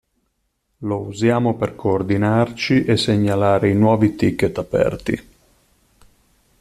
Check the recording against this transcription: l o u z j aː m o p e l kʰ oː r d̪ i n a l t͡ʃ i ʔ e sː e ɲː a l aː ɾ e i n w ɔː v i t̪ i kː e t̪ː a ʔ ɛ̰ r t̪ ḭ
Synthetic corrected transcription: l o u z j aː m o p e r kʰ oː r d̪ i n a r t͡ʃ i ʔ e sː e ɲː a l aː ɾ e i n w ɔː v i t̪ i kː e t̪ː a p ɛ̰ r t̪ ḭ